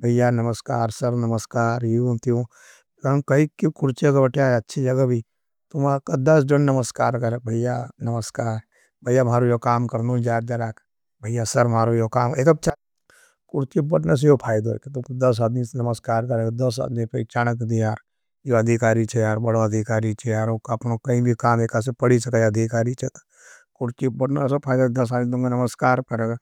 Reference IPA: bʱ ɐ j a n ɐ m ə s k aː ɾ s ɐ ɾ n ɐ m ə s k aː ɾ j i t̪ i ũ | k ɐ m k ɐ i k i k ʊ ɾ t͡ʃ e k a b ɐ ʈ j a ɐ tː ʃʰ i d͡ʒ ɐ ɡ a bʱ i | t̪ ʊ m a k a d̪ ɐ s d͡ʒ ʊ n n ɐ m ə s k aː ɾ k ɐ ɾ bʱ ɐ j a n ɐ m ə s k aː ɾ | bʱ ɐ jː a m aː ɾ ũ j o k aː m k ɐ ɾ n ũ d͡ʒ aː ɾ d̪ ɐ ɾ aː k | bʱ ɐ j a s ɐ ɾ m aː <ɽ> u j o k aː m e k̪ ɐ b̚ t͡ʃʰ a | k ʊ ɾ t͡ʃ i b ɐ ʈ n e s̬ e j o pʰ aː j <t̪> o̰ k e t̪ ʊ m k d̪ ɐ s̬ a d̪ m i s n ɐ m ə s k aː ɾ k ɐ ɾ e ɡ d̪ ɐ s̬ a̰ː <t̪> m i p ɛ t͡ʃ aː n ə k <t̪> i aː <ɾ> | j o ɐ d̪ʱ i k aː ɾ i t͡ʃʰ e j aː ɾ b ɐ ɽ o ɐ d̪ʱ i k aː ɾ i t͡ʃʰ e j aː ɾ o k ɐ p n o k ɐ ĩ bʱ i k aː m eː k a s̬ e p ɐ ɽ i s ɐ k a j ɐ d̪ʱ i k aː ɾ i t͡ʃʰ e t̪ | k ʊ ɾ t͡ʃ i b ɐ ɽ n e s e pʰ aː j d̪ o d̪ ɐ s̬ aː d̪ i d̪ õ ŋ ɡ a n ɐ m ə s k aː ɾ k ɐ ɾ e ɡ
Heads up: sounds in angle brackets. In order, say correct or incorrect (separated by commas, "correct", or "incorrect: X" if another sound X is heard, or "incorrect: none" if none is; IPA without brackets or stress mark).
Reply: incorrect: ɾ, incorrect: d̪, incorrect: d̪, incorrect: d̪, correct